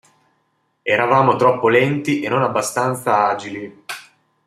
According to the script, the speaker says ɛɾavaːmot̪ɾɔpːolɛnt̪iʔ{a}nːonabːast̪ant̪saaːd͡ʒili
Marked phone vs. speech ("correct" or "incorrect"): incorrect